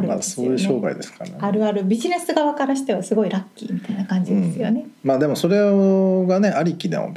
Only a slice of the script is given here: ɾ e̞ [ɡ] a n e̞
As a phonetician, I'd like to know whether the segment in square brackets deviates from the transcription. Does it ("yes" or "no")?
no